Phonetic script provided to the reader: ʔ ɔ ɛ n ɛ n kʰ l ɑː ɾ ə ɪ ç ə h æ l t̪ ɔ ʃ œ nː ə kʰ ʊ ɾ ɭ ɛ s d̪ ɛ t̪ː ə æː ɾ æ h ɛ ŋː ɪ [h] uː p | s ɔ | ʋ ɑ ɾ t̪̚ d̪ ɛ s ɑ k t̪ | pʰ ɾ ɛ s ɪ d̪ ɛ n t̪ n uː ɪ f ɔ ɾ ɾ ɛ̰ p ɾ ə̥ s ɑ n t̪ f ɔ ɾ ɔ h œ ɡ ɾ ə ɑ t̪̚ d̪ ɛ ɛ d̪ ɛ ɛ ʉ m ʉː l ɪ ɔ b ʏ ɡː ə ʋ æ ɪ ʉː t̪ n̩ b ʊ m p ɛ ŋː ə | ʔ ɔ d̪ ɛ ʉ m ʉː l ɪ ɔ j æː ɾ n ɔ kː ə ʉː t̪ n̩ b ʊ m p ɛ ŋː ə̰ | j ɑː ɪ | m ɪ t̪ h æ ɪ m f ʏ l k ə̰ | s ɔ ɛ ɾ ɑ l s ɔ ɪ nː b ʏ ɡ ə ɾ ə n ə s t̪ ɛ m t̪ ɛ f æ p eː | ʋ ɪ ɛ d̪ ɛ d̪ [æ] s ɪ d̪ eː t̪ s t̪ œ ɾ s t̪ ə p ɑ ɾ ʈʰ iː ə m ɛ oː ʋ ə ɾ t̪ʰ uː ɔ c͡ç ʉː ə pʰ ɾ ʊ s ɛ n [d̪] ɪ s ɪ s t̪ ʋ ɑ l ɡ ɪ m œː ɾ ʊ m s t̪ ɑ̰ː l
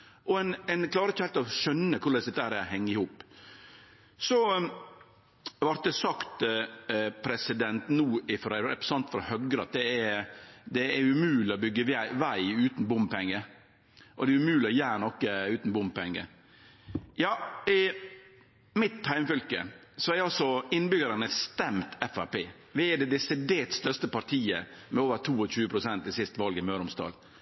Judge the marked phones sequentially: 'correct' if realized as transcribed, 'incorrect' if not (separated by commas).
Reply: correct, incorrect, incorrect